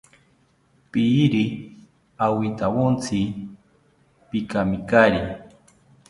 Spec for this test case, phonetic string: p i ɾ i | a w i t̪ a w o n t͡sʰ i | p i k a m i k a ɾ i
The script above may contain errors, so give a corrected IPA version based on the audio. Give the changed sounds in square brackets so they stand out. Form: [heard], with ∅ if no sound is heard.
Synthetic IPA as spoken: p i ɾ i | a w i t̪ a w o n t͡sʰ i | p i k a m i k a ɾ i